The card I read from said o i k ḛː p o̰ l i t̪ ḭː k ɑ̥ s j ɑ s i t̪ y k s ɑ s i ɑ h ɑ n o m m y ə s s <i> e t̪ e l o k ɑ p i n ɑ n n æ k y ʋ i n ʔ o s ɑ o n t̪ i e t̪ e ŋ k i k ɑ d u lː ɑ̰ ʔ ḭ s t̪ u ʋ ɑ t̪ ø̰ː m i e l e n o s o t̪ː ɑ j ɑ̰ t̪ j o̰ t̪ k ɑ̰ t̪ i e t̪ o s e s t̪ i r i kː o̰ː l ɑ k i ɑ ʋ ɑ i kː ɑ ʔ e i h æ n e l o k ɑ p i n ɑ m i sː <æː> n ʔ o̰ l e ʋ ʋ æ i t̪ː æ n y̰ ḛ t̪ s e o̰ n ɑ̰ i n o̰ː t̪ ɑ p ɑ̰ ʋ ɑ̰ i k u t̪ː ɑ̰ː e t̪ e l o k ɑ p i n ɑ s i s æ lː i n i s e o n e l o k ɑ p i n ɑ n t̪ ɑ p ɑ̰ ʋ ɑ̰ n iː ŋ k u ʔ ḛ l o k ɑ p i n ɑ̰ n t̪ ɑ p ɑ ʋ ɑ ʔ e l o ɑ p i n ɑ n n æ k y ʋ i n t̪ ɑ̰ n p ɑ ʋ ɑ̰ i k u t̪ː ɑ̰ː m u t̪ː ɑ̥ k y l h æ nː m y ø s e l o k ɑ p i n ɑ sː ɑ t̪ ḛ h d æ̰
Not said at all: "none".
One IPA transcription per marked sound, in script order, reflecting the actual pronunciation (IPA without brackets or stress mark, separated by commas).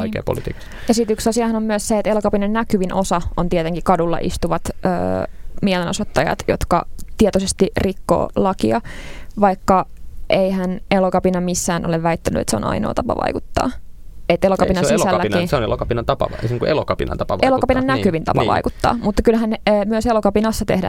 e, æː